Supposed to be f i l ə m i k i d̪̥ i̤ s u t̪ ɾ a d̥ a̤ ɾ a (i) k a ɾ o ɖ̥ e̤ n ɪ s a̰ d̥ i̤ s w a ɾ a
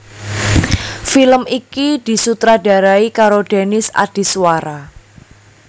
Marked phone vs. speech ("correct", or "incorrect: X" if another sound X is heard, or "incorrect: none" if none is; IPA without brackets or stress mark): correct